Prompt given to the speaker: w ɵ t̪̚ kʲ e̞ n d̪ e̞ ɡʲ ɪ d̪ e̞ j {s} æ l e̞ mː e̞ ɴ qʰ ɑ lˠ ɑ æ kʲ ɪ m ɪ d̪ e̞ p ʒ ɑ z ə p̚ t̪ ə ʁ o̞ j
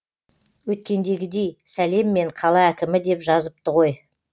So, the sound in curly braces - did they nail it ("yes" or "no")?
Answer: yes